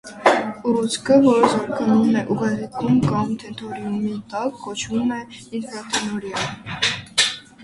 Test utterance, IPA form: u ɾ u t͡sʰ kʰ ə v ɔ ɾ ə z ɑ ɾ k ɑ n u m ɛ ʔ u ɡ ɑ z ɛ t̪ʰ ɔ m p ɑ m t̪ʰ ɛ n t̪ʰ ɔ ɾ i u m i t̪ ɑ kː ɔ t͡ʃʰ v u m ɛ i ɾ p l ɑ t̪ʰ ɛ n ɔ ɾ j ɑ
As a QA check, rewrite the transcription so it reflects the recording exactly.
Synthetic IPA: u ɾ u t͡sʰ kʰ ə v ɔ ɾ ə z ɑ ɾ k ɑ n u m ɛ ʔ u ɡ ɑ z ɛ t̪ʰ u m k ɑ m t̪ʰ ɛ n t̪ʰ ɔ ɾ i u m i t̪ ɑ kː ɔ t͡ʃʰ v u m ɛ i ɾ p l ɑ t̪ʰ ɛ n ɔ ɾ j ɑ